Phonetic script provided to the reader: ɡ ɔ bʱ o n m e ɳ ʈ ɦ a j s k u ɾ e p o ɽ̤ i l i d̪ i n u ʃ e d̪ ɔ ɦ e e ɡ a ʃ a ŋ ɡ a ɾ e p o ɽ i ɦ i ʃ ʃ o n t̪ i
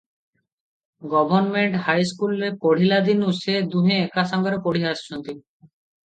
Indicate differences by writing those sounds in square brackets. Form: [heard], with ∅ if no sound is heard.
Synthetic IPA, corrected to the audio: ɡ ɔ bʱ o n m e ɳ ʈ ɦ a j s k u [l] e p o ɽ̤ i l [a] d̪ i n u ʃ e d̪ [u] ɦ e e [k] a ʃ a ŋ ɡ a ɾ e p o ɽ i ɦ [a] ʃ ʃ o n t̪ i